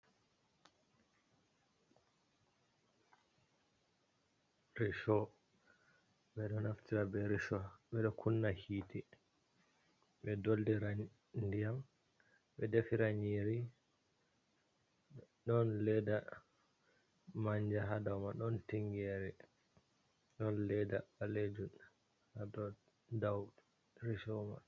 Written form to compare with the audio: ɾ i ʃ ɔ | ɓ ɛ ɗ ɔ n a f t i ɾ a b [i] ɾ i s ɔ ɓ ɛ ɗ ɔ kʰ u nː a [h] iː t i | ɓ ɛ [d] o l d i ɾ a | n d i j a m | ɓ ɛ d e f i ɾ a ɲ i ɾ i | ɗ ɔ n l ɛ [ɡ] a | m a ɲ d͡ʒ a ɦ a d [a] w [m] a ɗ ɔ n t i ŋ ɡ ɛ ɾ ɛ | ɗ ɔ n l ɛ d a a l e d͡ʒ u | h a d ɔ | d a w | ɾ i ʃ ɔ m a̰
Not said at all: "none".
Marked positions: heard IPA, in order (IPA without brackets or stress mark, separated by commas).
ɛ, h, d, d, a, m